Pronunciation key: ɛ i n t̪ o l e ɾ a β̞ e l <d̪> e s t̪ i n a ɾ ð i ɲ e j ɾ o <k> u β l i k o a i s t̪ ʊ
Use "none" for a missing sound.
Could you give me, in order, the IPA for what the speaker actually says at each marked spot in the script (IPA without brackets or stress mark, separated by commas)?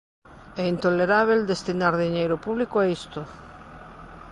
d̪, p